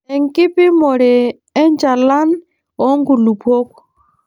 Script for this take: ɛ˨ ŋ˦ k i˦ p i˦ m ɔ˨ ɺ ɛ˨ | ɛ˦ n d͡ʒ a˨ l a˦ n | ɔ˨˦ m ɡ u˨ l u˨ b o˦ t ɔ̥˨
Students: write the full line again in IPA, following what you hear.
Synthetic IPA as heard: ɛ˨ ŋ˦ k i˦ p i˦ m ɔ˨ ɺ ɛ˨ | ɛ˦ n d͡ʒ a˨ l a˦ n | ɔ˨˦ ŋ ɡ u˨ l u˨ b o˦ k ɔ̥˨